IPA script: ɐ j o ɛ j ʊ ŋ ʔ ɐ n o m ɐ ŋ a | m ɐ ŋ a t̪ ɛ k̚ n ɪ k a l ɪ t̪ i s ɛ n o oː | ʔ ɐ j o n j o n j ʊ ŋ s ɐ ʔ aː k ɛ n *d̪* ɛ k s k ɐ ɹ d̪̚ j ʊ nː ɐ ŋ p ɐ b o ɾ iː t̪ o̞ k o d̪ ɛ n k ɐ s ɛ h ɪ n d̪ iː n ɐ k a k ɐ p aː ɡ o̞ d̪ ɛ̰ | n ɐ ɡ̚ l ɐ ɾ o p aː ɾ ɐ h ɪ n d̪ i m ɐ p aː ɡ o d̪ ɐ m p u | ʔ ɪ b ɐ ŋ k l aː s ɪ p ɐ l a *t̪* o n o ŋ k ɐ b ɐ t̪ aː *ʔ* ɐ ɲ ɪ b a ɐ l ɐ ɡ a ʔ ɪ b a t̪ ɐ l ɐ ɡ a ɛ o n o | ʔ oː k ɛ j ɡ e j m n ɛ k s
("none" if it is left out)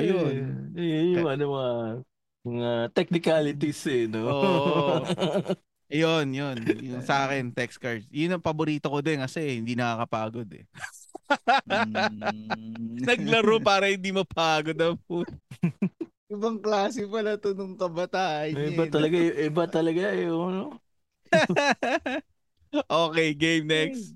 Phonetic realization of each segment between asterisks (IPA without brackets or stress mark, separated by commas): t̪, t̪, ʔ